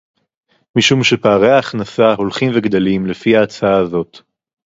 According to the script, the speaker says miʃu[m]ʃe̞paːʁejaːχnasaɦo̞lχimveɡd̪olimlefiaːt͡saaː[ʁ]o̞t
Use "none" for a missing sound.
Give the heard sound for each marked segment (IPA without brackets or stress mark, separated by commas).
m, z